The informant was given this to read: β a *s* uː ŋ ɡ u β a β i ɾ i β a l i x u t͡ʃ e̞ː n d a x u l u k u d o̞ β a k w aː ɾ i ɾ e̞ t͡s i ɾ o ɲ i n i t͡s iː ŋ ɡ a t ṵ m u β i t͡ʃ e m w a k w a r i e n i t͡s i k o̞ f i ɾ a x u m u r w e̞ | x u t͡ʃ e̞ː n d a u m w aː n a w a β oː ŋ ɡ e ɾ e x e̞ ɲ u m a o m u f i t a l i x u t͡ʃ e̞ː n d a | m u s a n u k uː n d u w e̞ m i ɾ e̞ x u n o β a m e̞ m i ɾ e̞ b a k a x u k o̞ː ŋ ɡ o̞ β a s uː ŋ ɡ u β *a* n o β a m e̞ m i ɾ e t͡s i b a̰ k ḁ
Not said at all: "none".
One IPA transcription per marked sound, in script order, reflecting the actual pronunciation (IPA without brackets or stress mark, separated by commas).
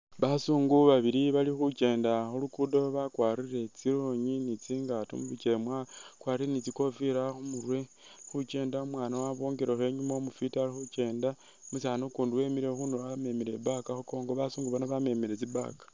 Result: s, a